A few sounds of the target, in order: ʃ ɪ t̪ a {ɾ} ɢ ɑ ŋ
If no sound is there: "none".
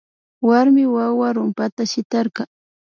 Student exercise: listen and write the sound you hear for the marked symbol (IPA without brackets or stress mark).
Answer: ɾ